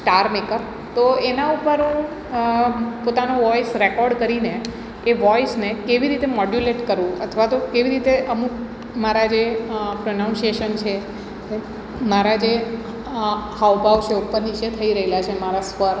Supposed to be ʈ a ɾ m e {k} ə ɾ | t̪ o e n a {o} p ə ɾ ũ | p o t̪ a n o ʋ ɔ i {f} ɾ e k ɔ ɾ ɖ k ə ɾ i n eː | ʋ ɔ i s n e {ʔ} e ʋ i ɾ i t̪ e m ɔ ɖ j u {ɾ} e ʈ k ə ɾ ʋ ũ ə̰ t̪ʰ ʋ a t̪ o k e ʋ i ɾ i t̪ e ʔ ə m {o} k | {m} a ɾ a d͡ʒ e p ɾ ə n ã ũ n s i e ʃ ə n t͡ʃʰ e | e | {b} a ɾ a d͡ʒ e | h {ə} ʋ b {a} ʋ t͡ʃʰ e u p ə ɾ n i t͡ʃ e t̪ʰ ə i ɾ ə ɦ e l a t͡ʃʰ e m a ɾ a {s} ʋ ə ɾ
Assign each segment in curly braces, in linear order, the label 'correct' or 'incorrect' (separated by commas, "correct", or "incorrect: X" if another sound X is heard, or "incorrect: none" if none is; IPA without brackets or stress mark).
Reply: correct, incorrect: u, incorrect: s, incorrect: k, incorrect: l, incorrect: u, correct, incorrect: m, incorrect: a, correct, correct